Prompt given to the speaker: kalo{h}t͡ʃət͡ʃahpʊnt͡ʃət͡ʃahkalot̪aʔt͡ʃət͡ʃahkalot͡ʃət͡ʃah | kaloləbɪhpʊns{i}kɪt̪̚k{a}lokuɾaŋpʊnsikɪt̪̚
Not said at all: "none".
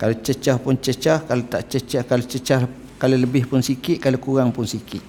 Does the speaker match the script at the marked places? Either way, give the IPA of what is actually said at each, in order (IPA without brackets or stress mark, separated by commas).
none, i, a